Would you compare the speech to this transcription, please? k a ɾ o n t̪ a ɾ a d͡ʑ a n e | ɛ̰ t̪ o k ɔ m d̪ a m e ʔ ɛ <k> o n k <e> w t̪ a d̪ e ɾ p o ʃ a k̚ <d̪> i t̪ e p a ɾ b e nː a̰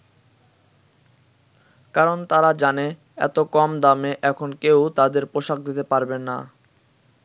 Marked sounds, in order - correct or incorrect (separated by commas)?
incorrect, correct, correct